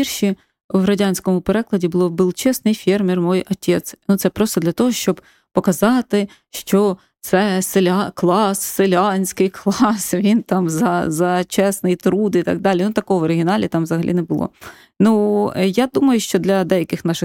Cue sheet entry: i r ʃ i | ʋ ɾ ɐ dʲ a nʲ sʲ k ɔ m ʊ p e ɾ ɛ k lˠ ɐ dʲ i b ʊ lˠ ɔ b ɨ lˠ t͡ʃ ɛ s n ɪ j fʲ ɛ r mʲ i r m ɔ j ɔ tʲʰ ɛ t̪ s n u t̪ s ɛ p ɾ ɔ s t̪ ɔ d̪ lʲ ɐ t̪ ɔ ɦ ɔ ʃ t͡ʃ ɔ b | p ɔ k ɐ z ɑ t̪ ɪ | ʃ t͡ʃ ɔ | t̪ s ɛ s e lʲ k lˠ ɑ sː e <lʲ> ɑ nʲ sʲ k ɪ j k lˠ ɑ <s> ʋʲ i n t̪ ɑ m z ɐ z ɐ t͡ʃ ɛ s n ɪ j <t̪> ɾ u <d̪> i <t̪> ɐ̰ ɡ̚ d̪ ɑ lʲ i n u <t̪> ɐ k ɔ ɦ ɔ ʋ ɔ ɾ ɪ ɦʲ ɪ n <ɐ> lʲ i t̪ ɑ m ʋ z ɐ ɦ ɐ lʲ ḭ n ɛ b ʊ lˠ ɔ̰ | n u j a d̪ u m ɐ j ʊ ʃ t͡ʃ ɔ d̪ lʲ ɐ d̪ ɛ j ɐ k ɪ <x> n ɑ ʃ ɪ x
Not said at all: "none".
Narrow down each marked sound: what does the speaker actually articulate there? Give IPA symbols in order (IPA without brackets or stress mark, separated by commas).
lʲ, s, t̪, d̪, t̪, t̪, ɑ, x